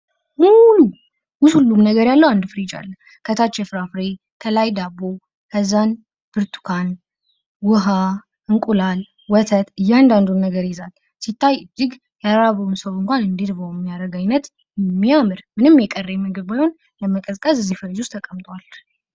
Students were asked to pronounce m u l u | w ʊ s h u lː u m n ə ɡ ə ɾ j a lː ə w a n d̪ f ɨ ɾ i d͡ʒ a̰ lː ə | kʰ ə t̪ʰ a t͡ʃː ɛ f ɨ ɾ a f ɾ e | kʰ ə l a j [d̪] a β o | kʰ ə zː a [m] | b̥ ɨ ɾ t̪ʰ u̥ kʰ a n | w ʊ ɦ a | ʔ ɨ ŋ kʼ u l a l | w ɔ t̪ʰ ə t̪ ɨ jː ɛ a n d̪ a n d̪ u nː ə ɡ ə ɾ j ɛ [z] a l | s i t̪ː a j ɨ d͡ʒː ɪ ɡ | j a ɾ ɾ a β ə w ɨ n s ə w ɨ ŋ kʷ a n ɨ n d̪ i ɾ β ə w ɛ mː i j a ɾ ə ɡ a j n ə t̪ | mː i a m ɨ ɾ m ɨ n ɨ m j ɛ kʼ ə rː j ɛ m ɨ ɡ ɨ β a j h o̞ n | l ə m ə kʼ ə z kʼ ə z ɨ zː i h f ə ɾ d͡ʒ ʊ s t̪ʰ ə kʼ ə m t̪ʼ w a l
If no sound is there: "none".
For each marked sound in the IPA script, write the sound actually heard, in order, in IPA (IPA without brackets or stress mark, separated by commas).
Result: d̪, n, z